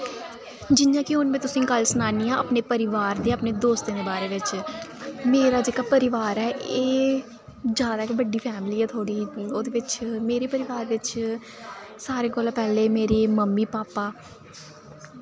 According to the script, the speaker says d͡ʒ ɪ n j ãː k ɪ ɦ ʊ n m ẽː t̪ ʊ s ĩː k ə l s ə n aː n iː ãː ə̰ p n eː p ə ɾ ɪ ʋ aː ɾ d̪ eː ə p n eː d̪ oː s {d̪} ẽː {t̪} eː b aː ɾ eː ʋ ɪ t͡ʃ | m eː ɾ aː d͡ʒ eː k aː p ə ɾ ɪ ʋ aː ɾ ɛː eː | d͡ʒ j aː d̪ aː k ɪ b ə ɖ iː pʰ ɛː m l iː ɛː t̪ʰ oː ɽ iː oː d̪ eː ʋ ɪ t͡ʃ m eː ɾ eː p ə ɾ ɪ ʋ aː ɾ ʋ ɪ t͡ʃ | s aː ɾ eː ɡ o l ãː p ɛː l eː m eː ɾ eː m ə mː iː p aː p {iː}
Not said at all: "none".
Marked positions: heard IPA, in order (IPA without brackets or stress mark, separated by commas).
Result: t̪, d̪, aː